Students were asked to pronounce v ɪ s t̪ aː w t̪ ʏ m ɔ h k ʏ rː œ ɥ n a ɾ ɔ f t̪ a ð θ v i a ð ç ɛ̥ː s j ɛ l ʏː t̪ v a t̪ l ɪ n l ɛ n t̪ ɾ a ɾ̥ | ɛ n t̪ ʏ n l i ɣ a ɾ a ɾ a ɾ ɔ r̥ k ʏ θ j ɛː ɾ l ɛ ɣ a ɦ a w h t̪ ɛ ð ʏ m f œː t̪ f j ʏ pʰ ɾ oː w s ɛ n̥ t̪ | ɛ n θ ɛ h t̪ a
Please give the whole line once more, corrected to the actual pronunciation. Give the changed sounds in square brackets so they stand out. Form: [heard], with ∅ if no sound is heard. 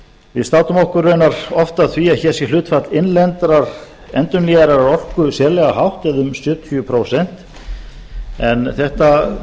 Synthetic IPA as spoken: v ɪ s t̪ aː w t̪ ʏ m ɔ h k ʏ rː œ ɥ n a ɾ ɔ f t̪ a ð θ v i a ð ç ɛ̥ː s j ɛ l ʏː t̪ [f] a t̪ l ɪ n l ɛ n t̪ ɾ a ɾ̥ | ɛ n t̪ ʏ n l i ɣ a ɾ a ɾ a ɾ ɔ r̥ k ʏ [s] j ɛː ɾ l ɛ ɣ a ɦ a w h t̪ ɛ ð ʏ m [s] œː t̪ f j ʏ pʰ ɾ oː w s ɛ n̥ t̪ | ɛ n θ ɛ h t̪ a